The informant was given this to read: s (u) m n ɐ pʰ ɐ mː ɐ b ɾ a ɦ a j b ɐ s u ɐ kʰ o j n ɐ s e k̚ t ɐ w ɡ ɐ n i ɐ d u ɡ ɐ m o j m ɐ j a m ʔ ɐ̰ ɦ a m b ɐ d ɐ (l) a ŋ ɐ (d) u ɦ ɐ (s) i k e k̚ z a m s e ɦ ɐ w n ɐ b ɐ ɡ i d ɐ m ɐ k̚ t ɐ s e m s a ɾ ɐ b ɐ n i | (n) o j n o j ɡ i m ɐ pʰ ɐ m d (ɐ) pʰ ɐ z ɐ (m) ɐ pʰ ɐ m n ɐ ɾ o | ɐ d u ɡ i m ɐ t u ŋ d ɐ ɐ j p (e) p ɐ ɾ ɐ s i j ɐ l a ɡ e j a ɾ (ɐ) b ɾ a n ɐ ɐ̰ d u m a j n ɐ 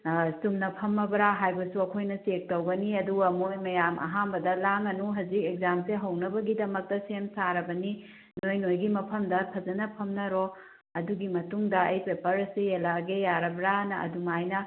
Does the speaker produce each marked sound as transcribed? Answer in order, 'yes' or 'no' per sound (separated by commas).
yes, yes, no, no, yes, yes, no, yes, yes